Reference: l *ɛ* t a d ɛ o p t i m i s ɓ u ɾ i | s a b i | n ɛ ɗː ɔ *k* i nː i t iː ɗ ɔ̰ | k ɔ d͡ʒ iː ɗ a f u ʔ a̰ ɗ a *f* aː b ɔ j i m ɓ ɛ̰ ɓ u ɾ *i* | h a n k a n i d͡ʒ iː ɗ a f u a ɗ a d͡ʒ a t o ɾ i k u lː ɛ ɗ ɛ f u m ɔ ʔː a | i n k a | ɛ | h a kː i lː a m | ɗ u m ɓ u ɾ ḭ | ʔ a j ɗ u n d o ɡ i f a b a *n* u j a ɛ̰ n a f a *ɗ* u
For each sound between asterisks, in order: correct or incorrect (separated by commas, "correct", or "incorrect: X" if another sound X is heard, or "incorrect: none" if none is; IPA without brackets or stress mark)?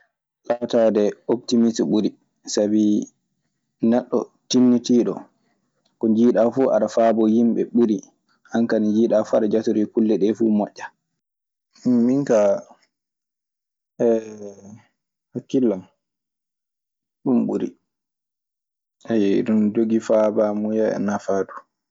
incorrect: a, incorrect: t, correct, correct, incorrect: m, incorrect: d